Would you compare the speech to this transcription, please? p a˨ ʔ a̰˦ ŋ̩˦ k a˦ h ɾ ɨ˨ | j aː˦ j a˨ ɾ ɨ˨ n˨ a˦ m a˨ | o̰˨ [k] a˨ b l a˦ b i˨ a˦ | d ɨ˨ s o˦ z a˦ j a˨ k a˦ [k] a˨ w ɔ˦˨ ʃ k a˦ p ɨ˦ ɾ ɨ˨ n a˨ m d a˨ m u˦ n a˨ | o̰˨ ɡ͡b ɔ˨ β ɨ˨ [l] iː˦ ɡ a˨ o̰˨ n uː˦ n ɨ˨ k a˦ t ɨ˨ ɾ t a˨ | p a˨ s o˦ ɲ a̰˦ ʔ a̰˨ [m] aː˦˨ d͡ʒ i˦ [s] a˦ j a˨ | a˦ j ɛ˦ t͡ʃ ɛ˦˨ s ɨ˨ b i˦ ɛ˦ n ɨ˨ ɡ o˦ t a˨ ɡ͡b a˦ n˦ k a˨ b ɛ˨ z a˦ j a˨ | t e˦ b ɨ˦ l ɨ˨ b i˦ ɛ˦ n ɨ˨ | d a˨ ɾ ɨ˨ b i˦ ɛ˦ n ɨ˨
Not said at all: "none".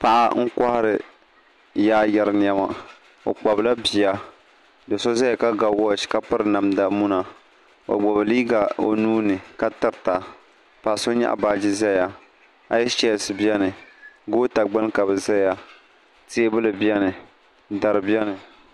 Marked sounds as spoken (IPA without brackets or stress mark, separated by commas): k͡p, ɡ, l, b, z